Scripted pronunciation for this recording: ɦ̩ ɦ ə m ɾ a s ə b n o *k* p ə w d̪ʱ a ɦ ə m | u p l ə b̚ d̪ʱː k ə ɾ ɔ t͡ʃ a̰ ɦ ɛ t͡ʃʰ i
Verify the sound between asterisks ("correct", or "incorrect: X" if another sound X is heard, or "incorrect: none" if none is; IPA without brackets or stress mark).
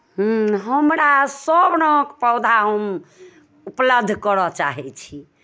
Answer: correct